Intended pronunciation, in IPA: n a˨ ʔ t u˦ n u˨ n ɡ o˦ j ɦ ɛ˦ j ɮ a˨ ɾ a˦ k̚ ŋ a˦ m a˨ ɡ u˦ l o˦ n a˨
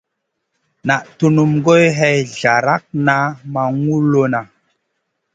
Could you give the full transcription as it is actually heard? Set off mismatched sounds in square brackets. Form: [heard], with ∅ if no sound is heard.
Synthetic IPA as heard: n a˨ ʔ t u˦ n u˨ [m] ɡ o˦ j ɦ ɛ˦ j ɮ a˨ ɾ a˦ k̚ [n] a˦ m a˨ [ŋ] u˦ l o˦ n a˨